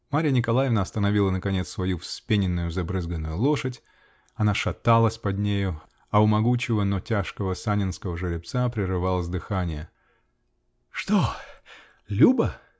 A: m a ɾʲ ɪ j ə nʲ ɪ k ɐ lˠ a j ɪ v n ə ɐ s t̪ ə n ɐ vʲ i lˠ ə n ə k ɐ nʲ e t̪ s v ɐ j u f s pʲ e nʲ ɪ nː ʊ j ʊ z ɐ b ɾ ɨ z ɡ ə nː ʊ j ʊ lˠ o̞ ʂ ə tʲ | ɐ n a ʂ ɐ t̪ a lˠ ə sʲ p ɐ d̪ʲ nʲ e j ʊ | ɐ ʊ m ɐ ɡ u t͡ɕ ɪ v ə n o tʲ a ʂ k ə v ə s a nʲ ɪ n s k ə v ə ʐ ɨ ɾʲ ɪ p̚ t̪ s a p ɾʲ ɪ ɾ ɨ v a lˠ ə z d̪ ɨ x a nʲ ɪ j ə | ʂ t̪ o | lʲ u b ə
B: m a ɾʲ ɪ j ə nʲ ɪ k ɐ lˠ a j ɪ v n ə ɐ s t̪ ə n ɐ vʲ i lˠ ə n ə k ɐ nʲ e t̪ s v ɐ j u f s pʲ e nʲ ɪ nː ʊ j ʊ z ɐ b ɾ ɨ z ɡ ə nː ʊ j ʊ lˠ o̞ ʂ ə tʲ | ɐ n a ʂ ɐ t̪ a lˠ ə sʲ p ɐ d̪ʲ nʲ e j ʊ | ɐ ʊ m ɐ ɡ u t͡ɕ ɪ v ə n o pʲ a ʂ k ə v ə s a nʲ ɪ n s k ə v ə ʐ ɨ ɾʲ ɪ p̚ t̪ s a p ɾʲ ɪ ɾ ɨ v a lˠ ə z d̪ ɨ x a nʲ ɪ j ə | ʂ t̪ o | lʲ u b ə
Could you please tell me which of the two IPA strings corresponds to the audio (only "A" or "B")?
A